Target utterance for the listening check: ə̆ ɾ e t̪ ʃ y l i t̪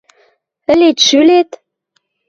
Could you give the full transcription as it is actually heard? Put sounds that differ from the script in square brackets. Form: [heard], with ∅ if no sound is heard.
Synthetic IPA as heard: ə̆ [l] e t̪ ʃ y l [e] t̪